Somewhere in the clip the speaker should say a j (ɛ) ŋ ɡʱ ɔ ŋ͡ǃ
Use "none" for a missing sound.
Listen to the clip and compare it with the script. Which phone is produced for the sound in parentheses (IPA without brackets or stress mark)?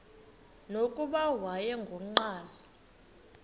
ɛ